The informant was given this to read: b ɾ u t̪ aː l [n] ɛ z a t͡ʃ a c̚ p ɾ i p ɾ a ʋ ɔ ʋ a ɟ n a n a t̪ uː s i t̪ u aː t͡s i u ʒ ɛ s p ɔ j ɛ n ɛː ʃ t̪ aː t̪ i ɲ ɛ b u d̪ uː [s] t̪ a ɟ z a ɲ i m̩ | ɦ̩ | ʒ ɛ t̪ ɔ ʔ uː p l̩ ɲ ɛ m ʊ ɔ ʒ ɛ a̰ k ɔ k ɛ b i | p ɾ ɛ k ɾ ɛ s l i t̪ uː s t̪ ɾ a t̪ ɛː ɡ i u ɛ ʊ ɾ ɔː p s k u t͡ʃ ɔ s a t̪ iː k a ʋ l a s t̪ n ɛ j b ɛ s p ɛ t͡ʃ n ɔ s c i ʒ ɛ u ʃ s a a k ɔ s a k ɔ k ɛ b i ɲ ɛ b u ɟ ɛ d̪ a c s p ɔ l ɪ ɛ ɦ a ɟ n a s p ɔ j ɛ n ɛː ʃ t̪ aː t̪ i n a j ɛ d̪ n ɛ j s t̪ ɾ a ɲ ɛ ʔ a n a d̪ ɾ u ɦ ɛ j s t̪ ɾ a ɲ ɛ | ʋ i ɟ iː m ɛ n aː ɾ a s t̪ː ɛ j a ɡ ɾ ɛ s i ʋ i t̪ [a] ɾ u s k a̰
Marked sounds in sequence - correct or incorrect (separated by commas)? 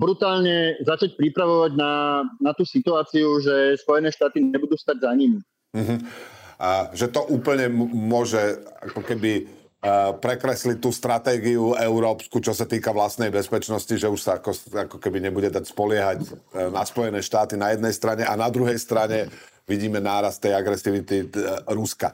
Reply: incorrect, correct, incorrect